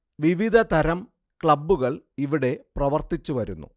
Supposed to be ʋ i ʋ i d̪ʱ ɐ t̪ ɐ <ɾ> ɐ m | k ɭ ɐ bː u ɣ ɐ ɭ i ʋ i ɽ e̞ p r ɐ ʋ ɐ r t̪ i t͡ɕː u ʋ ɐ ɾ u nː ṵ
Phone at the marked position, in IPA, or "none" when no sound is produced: ɾ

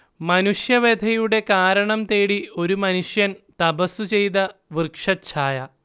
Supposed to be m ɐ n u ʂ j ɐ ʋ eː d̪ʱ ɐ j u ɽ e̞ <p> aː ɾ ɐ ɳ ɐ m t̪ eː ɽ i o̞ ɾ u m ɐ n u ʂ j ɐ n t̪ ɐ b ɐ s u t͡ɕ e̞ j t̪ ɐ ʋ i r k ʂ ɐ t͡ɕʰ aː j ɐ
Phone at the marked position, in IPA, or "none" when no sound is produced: k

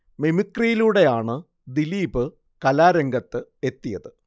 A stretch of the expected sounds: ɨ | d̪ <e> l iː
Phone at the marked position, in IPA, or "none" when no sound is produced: i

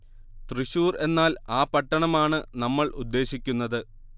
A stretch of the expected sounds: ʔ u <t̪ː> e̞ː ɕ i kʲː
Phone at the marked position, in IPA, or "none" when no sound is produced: d̪ː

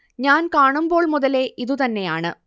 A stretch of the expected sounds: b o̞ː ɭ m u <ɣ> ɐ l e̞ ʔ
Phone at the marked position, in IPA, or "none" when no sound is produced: ð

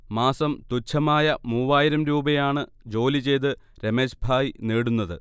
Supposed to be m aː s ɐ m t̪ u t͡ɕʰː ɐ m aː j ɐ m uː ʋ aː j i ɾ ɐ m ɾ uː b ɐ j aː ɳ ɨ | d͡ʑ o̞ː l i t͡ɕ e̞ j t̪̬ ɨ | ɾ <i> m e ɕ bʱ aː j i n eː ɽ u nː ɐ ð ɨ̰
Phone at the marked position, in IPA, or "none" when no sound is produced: e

